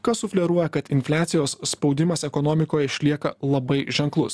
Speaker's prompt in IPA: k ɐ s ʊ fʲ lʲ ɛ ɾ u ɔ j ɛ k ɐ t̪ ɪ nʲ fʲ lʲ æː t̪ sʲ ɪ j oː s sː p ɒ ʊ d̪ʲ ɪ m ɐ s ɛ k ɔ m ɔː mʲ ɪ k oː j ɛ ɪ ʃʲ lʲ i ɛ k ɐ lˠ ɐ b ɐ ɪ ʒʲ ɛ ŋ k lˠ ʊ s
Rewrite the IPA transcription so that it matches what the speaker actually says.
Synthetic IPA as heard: k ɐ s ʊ fʲ lʲ ɛ ɾ u ɔ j ɛ k ɐ t̪ ɪ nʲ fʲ lʲ æː t̪ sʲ ɪ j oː s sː p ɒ ʊ d̪ʲ ɪ m ɐ s ɛ k ɔ n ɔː mʲ ɪ k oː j ɛ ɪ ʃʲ lʲ i ɛ k ɐ lˠ ɐ b ɐ ɪ ʒʲ ɛ ŋ k lˠ ʊ s

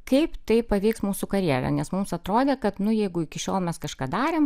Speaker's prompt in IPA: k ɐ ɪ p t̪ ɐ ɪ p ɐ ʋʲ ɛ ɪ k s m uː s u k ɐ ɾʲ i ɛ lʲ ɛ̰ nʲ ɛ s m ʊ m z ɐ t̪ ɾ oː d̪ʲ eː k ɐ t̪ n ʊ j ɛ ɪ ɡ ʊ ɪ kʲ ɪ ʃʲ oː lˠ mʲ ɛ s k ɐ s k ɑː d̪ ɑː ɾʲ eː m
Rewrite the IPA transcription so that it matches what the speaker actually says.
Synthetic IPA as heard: k ɐ ɪ p t̪ ɐ ɪ p ɐ ʋʲ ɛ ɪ k s m uː s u k ɐ ɾʲ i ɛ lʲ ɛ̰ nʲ ɛ s m ʊ m s ɐ t̪ ɾ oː d̪ʲ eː k ɐ t̪ n ʊ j ɛ ɪ ɡ ʊ ɪ kʲ ɪ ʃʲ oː lˠ mʲ ɛ s k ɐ ʃ k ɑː d̪ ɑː ɾʲ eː m

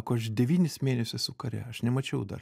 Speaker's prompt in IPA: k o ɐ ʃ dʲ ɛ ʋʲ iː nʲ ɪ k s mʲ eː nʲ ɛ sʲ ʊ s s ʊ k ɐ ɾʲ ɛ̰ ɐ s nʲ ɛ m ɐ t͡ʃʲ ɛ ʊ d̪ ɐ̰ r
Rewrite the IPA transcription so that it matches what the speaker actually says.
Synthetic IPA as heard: k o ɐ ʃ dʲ ɛ ʋʲ iː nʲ ɪ s mʲ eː nʲ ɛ sʲ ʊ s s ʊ k ɐ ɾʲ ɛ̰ ɐ ʃ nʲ ɛ m ɐ t͡ʃʲ ɛ ʊ d̪ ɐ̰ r

